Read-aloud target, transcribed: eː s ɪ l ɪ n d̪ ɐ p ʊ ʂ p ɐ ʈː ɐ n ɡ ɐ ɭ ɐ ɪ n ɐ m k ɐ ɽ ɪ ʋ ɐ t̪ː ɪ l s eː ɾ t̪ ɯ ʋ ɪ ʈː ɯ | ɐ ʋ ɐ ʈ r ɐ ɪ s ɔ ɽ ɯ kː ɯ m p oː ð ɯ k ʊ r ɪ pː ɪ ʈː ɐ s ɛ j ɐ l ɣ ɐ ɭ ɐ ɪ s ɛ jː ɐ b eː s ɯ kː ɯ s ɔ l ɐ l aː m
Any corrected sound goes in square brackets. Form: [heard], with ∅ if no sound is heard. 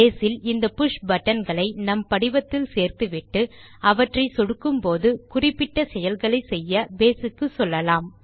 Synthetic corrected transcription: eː s ɪ l ɪ n d̪ ɐ p ʊ ʂ [b] ɐ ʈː ɐ n ɡ ɐ ɭ ɐ ɪ n ɐ m [p] ɐ ɽ ɪ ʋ ɐ t̪ː ɪ l s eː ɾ t̪ ɯ ʋ ɪ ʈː ɯ | ɐ ʋ ɐ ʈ r ɐ ɪ s ɔ ɽ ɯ kː ɯ m p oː ð ɯ k ʊ r ɪ pː ɪ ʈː ɐ s ɛ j ɐ l ɣ ɐ ɭ ɐ ɪ s ɛ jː ɐ b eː s ɯ kː ɯ s ɔ [lː] ɐ l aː m